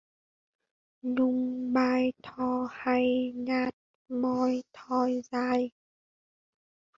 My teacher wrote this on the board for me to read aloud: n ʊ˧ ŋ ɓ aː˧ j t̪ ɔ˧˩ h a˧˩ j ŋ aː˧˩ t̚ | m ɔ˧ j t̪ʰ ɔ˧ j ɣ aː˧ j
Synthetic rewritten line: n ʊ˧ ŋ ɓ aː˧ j t̪ʰ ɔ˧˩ h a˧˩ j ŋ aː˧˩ t̚ | m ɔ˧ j t̪ʰ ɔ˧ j z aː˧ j